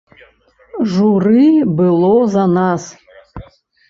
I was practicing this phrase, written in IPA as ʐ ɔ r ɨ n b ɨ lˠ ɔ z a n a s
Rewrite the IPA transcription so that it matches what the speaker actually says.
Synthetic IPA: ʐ u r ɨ b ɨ lˠ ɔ z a n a s